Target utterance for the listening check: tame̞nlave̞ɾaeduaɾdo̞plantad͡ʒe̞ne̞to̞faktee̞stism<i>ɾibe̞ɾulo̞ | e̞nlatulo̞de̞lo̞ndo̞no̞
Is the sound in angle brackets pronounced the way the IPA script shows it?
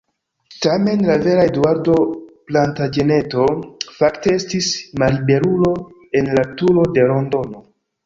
no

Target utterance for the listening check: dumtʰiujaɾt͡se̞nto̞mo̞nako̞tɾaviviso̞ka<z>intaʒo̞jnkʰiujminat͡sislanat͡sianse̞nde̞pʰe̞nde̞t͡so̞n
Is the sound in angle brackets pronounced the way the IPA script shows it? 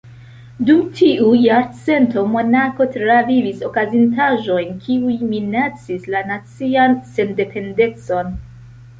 yes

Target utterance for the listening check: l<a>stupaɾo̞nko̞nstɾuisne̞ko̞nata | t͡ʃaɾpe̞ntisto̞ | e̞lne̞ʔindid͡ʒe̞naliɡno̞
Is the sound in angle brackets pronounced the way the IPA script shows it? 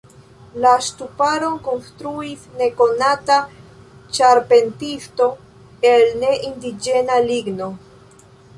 yes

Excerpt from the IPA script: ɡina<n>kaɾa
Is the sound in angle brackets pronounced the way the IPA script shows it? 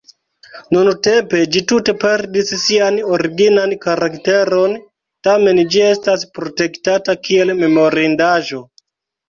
yes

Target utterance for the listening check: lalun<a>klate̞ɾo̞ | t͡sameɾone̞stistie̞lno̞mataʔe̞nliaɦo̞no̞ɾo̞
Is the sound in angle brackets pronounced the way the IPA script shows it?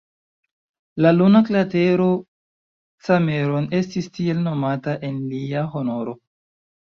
yes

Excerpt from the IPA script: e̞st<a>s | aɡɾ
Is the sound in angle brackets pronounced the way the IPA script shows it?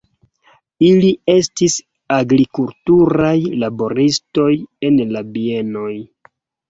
no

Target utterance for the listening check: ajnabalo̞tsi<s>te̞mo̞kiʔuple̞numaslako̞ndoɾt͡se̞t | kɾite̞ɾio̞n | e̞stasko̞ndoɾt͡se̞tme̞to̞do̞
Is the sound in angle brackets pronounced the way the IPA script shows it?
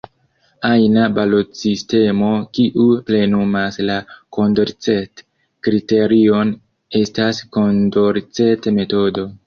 yes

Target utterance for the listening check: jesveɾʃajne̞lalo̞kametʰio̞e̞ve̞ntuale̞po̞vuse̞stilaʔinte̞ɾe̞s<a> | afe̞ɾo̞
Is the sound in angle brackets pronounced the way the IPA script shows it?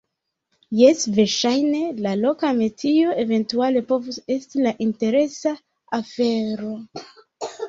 yes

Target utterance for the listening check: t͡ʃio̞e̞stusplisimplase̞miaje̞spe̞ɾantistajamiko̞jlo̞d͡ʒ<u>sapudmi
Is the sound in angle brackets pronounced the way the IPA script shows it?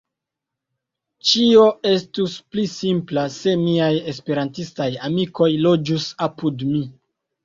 yes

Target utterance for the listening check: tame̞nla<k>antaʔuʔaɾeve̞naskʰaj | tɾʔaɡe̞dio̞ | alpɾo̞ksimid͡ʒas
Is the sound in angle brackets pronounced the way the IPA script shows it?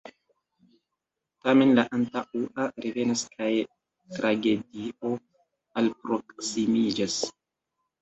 no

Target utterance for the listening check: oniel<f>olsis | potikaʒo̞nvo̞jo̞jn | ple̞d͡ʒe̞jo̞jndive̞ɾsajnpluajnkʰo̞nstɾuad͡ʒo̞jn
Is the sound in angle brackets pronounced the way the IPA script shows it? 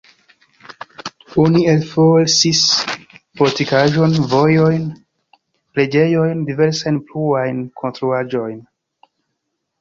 yes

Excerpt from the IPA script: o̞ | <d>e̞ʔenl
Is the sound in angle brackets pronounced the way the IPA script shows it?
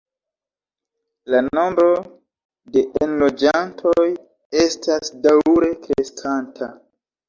yes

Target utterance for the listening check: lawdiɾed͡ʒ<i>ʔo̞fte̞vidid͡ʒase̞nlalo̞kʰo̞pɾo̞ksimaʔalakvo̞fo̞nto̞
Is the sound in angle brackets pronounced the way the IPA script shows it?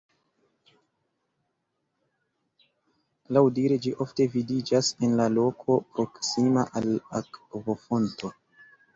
yes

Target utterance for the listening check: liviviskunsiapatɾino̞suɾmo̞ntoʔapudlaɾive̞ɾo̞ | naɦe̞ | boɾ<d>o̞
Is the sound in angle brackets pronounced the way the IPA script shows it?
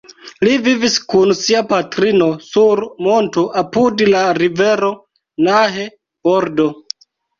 yes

